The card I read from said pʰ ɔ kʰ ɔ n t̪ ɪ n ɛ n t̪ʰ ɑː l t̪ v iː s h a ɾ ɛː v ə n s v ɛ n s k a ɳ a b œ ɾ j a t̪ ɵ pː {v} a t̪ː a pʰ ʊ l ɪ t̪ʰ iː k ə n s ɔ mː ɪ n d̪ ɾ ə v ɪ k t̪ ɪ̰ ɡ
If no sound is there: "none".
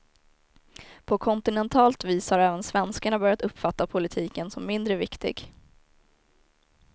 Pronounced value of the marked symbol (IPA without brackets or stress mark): f